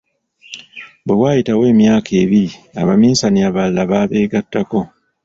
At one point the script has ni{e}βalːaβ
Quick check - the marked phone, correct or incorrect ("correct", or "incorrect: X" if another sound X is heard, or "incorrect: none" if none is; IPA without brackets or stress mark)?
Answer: incorrect: a